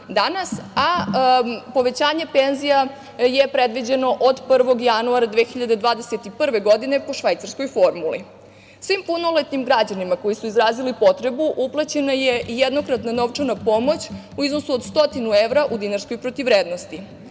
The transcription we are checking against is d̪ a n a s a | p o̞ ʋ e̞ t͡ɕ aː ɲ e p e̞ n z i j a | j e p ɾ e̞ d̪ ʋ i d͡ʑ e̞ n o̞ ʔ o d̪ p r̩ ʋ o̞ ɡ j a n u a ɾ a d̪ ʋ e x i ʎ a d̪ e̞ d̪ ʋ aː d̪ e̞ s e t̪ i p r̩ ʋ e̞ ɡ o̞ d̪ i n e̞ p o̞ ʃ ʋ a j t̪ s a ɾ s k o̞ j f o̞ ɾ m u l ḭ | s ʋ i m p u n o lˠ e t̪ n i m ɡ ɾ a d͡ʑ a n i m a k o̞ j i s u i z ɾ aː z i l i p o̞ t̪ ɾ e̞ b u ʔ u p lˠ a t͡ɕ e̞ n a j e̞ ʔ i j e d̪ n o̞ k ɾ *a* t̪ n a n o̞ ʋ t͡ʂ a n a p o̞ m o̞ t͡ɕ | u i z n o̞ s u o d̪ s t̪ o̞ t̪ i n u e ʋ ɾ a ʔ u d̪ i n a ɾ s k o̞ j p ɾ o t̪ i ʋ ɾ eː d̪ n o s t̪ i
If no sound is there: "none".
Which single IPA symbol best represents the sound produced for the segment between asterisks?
a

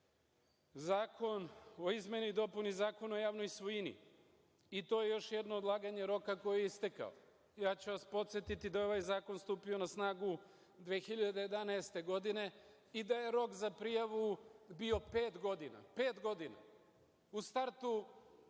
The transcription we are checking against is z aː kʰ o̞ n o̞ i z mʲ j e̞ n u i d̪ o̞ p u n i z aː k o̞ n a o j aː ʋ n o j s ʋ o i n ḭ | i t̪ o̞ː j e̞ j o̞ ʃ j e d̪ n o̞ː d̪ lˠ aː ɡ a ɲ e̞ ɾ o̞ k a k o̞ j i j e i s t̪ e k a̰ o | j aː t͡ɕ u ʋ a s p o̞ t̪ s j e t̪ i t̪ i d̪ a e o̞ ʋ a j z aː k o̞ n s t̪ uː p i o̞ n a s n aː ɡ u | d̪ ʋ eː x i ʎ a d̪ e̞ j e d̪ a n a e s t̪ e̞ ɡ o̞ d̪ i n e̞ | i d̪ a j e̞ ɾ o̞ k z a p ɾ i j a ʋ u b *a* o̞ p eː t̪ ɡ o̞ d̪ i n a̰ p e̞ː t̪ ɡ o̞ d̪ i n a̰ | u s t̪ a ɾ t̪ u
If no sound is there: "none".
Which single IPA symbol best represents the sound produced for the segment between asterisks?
i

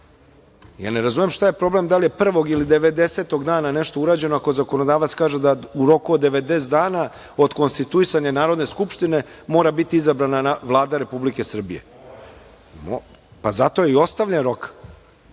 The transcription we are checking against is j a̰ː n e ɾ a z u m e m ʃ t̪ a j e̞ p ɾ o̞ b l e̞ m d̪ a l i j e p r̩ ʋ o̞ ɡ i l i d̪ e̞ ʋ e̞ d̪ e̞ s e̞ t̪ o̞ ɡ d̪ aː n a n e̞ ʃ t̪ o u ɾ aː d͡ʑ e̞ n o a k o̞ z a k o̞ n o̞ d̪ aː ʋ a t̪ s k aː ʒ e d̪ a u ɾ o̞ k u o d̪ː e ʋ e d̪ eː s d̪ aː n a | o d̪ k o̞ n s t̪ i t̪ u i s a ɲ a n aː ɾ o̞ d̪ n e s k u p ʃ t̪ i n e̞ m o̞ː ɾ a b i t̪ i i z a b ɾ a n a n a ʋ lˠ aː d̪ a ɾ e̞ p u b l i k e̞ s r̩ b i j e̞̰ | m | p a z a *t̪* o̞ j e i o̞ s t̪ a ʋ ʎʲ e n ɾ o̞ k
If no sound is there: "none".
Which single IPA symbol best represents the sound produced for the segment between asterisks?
t̪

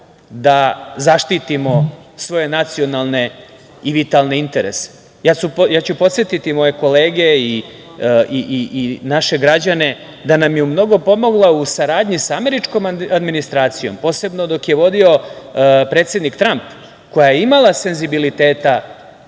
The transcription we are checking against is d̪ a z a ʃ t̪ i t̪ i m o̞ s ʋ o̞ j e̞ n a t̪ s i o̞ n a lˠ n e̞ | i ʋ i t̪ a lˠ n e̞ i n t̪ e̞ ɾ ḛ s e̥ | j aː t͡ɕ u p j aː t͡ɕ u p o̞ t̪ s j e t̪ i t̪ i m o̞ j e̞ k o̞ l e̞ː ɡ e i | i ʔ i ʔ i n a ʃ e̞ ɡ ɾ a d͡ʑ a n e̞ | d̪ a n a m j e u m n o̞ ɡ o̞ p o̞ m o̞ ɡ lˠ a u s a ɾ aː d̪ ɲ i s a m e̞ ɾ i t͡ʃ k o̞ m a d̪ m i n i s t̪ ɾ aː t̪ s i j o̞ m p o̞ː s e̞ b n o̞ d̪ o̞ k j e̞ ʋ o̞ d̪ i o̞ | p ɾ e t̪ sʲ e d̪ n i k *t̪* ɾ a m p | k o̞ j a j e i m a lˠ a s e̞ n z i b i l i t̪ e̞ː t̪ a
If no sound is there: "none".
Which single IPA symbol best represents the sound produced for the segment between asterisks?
t̪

